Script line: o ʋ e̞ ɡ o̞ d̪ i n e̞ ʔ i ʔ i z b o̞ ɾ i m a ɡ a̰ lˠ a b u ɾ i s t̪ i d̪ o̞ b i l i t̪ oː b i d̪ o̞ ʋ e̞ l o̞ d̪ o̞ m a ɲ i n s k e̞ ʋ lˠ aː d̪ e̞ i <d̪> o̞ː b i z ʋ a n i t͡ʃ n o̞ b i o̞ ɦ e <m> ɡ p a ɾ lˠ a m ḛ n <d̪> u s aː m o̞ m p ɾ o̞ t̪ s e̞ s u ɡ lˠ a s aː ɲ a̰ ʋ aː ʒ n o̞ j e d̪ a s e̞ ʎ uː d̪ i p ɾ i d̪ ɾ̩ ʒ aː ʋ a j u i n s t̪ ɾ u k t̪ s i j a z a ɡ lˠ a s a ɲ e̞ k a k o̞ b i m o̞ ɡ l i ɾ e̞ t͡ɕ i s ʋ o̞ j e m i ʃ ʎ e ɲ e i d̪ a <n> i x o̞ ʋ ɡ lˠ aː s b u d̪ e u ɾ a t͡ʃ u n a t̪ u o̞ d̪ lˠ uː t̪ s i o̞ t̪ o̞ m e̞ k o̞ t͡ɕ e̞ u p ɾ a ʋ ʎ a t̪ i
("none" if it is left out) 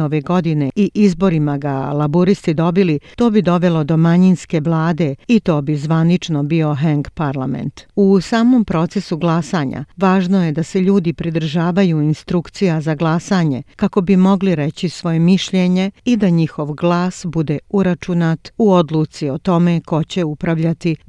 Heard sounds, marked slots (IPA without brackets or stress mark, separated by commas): t̪, ŋ, t̪, ɲ